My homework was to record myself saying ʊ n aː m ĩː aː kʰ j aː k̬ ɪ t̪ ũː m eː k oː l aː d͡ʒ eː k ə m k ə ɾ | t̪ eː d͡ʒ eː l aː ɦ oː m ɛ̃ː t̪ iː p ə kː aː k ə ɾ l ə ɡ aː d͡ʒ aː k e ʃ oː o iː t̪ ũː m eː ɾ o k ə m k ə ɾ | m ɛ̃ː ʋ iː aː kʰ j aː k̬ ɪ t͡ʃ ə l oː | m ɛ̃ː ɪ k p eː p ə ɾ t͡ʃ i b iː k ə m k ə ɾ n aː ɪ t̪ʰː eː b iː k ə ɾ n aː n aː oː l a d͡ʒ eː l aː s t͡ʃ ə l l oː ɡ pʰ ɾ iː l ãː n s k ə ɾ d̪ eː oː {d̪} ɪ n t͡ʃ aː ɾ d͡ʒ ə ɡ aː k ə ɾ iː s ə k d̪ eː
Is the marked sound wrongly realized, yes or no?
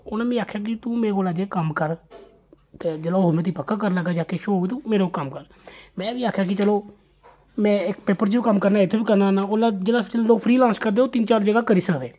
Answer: yes